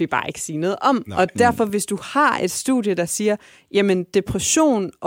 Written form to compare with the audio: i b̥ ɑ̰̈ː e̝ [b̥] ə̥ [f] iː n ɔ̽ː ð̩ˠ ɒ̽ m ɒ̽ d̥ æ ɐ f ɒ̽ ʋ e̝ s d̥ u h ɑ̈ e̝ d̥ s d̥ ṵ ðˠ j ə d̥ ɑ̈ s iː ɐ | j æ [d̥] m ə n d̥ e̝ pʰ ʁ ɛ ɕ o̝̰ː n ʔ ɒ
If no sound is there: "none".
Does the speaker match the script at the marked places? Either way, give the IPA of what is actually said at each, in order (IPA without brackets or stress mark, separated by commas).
ɡ̥, s, none